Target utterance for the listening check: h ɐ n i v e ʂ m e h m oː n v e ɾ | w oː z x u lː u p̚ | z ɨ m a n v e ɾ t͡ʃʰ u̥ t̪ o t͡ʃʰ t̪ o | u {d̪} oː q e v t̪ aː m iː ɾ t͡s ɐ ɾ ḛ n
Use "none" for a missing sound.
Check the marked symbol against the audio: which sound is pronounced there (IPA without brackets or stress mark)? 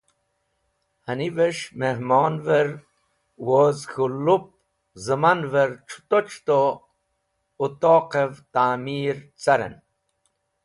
t̪